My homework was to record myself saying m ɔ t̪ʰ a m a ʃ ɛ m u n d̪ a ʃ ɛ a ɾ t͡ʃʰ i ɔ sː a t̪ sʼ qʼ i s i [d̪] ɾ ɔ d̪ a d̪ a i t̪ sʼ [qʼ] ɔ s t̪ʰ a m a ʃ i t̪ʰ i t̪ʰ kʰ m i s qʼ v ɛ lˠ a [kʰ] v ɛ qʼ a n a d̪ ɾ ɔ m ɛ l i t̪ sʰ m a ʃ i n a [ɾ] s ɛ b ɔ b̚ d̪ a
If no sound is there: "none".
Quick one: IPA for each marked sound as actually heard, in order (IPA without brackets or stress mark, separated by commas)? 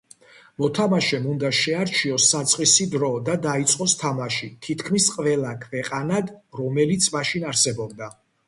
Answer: d̪, qʼ, kʰ, ɾ